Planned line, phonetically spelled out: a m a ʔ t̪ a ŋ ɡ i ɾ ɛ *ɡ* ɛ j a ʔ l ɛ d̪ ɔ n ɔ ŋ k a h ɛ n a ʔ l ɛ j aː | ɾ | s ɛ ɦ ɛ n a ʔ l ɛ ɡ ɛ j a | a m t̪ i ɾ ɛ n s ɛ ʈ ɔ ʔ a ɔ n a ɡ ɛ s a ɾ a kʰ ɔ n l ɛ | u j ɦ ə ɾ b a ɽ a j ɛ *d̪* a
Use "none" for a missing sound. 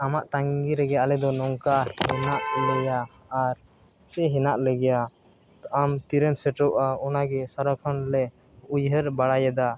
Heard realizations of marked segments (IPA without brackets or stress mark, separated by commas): ɡ, d̪